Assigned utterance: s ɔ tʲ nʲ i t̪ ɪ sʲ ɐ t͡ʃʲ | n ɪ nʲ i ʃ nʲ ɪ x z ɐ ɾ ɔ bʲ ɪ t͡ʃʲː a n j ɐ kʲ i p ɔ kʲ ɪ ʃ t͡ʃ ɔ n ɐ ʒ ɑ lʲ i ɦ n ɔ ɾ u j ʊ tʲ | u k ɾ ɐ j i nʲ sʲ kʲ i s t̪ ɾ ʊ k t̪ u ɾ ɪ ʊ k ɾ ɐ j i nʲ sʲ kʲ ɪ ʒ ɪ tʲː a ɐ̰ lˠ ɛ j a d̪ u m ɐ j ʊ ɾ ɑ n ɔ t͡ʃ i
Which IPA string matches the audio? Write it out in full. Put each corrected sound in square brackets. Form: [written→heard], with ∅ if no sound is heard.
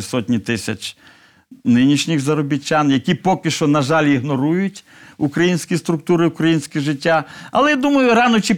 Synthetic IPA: s ɔ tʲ nʲ i t̪ ɪ sʲ ɐ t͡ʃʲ | n ɪ nʲ i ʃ nʲ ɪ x z ɐ ɾ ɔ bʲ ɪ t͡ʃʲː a n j ɐ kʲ i p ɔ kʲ ɪ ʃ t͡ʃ ɔ n ɐ ʒ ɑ lʲ i ɦ n ɔ ɾ u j ʊ tʲ | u k ɾ ɐ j i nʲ sʲ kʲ i s t̪ ɾ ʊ k t̪ u ɾ ɪ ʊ k ɾ ɐ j i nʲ sʲ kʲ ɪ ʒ ɪ tʲː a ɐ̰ lˠ ɛ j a d̪ u m ɐ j ʊ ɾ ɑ n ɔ t͡ʃ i